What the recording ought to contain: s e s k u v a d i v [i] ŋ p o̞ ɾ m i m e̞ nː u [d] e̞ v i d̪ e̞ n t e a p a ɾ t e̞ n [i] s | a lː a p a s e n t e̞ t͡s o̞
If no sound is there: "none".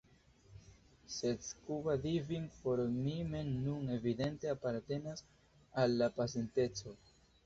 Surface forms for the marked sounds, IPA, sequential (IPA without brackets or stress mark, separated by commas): i, n, a